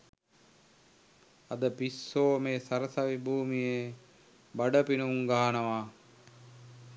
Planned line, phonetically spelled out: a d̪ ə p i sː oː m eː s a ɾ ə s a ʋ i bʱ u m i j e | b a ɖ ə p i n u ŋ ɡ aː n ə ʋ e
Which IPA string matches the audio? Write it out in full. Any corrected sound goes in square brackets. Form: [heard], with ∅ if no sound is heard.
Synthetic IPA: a d̪ ə p i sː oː m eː s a ɾ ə s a ʋ i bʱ [uː] m i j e | b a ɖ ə p i n u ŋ ɡ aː n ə ʋ [a]